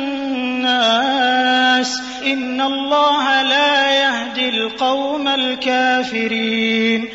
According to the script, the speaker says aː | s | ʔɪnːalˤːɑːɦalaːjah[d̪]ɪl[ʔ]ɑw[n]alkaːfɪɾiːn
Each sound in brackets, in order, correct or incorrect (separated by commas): correct, incorrect, incorrect